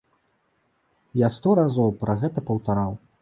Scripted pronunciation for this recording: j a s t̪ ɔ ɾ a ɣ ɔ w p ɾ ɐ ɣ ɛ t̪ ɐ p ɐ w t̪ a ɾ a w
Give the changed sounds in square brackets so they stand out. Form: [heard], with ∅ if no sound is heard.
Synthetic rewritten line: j a s t̪ ɔ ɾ a [z] ɔ w p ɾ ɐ ɣ ɛ t̪ ɐ p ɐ w t̪ a ɾ a w